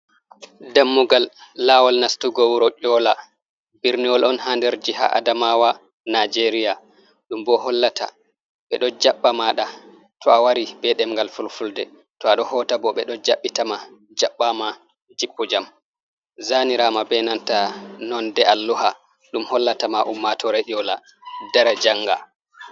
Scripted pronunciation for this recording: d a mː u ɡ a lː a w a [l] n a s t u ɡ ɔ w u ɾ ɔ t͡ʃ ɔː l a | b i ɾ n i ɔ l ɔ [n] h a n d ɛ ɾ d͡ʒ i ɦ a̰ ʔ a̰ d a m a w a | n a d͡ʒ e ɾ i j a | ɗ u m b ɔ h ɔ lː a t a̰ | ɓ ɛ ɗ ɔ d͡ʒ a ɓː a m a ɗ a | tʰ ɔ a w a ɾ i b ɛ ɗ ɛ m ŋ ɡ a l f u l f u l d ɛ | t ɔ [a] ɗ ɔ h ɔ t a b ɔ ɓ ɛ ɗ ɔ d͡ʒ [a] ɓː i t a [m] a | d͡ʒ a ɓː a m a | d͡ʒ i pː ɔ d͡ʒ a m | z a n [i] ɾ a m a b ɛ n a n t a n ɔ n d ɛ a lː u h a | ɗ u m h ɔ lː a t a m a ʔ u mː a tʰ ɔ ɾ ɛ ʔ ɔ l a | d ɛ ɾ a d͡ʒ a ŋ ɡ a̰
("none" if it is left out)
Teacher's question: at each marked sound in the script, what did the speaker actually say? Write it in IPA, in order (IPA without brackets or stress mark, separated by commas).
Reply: l, n, a, a, m, i